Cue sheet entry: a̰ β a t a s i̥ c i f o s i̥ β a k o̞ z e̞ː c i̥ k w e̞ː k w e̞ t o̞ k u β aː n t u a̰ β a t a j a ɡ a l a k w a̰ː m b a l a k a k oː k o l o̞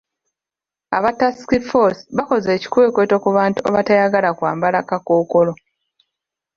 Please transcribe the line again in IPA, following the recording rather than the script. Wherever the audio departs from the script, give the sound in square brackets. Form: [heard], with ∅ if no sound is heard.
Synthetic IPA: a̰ β a t a s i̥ [k] i f o s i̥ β a k o̞ z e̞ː c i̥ k w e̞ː k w e̞ t o̞ k u β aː n t u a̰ β a t a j a ɡ a l a k w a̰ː m b a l a k a k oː k o l o̞